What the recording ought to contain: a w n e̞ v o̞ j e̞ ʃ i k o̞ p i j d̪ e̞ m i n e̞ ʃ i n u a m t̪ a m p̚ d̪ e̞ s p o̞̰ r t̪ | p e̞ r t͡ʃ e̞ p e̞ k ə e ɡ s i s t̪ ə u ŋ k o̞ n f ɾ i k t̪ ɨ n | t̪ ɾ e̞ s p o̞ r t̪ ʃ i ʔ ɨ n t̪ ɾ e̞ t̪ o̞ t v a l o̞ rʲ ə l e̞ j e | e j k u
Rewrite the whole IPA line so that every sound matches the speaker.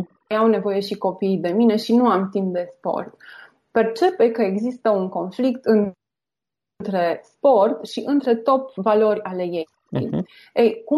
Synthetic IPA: a w n e̞ v o̞ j e̞ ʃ i k o̞ p i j d̪ e̞ m i n e̞ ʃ i n u a m t̪ i m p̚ d̪ e̞ s p o̞̰ r t̪ | p e̞ r t͡ʃ e̞ p e̞ k ə e ɡ z i s t̪ ə u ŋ k o̞ n f l i k t̪ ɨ n | t̪ ɾ e̞ s p o̞ r t̪ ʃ i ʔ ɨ n t̪ ɾ e̞ t̪ o̞ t v a l o̞ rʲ a l e̞ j e | e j k u